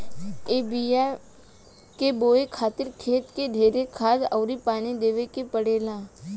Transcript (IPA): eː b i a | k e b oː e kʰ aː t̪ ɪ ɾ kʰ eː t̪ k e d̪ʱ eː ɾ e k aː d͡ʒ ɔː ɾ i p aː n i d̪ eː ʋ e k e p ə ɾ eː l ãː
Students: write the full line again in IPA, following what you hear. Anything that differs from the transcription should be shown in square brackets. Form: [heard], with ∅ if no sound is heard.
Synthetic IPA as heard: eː b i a | k e b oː e kʰ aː t̪ ɪ ɾ kʰ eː t̪ k e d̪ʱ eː ɾ e [kʰ] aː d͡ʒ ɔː ɾ i p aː n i d̪ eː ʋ e k e p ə [ɽ] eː l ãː